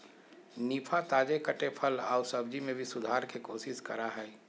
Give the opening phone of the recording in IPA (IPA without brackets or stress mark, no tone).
n